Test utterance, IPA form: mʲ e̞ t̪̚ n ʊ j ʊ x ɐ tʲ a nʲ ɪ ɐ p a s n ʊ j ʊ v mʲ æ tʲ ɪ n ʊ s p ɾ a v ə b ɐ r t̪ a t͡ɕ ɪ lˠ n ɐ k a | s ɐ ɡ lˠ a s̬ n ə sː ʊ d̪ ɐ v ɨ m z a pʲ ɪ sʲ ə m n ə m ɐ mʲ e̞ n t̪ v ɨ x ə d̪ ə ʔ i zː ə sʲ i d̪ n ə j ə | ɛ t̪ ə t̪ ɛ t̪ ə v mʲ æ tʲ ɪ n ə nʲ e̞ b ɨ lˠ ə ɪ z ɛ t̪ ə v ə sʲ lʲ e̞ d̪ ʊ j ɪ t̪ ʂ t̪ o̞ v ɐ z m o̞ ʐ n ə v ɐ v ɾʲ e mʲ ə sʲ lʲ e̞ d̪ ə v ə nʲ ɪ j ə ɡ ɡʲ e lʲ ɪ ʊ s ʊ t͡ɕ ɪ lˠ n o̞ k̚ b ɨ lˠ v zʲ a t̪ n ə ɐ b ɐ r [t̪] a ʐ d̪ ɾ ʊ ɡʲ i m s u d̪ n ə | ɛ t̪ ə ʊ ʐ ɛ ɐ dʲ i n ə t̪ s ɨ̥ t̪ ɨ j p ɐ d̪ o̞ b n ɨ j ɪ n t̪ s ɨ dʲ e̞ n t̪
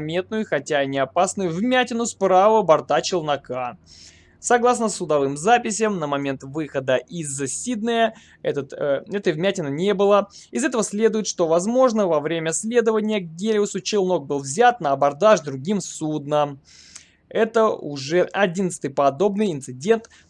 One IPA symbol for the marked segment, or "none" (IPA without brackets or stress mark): d̪